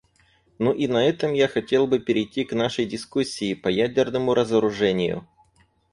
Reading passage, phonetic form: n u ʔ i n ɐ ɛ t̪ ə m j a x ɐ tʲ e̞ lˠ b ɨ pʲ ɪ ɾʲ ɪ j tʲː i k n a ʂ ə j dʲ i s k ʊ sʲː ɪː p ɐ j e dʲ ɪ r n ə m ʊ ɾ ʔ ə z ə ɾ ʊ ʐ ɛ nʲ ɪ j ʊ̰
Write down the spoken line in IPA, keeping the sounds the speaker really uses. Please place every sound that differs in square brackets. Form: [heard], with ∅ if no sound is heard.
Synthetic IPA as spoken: n u ʔ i n ɐ ɛ t̪ ə m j a x ɐ tʲ e̞ lˠ b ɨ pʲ ɪ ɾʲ ɪ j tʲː i k n a ʂ ə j dʲ [ɪ] s k [u] sʲː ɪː p ɐ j [æ] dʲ ɪ r n ə m ʊ ɾ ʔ ə z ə ɾ ʊ ʐ ɛ nʲ ɪ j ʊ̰

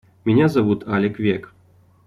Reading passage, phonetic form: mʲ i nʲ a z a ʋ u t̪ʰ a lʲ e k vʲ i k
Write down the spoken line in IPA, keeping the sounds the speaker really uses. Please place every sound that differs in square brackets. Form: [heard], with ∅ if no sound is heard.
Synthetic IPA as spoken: mʲ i nʲ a z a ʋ u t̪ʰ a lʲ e k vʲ [e] k

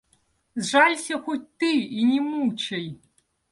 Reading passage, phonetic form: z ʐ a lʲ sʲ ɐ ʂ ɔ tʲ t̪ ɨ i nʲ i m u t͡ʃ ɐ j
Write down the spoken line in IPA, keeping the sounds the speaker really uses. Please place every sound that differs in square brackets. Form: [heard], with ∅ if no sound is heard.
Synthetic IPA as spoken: z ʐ a lʲ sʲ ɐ [x] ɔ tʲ t̪ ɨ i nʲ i m u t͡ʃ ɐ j

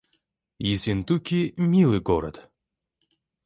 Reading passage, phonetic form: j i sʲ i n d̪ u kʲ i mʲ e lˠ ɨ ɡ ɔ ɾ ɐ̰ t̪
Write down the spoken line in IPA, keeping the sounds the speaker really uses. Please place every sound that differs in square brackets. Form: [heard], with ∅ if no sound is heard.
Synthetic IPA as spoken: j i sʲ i n [t̪] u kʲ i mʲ [i] lˠ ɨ ɡ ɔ ɾ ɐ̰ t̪

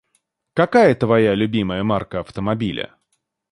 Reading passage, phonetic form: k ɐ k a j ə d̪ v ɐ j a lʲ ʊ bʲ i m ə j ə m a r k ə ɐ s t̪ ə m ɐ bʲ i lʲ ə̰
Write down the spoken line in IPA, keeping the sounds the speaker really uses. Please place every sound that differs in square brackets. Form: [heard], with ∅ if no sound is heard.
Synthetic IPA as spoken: k ɐ k a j ə [t̪] v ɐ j a lʲ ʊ bʲ i m ə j ə m a r k ə ɐ [f] t̪ ə m ɐ bʲ i lʲ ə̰

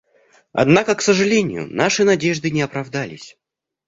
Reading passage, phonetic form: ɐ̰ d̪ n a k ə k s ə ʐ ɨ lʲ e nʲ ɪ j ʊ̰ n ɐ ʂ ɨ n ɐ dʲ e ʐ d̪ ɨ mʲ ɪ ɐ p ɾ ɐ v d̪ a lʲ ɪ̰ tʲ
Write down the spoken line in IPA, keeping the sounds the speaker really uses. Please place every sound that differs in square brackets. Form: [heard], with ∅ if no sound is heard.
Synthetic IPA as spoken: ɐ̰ d̪ n a k ə k s ə ʐ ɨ lʲ e nʲ ɪ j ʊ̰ n [a] ʂ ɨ n ɐ dʲ e ʐ d̪ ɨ [nʲ] ɪ ɐ p ɾ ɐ v d̪ a lʲ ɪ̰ [sʲ]

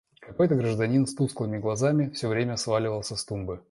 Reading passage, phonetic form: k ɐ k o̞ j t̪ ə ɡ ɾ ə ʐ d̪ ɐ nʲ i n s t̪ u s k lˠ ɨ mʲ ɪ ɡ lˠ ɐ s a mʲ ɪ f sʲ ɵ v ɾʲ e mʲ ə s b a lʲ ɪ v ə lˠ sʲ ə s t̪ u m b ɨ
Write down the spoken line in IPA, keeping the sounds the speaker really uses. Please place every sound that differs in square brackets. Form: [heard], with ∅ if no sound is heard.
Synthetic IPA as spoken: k ɐ k o̞ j t̪ ə ɡ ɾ ə ʐ d̪ ɐ nʲ i n s t̪ u s k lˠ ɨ mʲ ɪ ɡ lˠ ɐ [z] a mʲ ɪ f sʲ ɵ v ɾʲ e mʲ ə s [v] a lʲ ɪ v ə lˠ sʲ ə s t̪ u m b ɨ

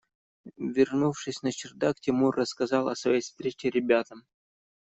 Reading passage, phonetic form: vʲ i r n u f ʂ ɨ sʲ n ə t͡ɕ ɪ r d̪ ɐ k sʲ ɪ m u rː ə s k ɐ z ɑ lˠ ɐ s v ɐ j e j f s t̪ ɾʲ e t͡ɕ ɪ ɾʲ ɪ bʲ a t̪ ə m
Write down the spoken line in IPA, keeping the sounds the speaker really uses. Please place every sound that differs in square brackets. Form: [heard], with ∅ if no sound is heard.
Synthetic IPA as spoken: vʲ [ɪ] r n u f ʂ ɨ sʲ n ə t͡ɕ ɪ r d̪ [a] k [tʲ] ɪ m u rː ə s k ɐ z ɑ lˠ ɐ s v ɐ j e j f s t̪ ɾʲ e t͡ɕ ɪ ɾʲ ɪ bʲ a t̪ ə m

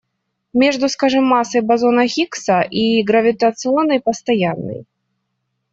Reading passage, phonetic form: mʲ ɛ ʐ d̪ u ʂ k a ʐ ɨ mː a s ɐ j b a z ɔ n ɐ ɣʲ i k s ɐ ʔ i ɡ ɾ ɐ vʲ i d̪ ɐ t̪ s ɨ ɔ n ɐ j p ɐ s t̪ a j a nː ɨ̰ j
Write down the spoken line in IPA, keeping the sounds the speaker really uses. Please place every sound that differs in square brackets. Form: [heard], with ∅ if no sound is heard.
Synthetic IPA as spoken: mʲ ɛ ʐ d̪ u [s] k a ʐ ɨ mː a s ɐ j b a z ɔ n ɐ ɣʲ i k s ɐ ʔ i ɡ ɾ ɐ vʲ i [t̪] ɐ t̪ s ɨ ɔ n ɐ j p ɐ s t̪ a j a nː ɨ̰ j

